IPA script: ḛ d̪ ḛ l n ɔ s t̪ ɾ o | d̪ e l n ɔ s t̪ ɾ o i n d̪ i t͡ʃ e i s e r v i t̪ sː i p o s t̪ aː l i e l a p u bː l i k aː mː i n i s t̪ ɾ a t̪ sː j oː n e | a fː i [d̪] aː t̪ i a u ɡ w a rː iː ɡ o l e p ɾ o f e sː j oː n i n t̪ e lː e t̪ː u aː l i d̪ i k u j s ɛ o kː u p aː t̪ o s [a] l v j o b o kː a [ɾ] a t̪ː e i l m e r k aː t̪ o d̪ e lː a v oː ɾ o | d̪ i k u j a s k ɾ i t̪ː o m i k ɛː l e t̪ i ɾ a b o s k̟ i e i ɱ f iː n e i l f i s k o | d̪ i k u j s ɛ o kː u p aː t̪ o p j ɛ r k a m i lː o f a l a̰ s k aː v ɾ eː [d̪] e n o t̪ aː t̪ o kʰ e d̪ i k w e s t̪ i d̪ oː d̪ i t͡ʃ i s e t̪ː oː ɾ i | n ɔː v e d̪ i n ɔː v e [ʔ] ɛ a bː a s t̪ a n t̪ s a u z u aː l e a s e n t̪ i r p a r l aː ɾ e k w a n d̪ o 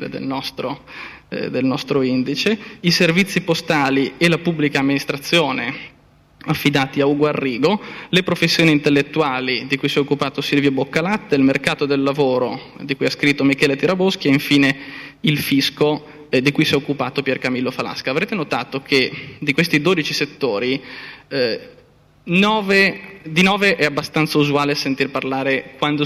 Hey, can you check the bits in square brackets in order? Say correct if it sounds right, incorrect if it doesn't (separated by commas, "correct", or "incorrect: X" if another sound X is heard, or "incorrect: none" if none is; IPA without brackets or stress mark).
correct, incorrect: i, incorrect: l, incorrect: t̪, correct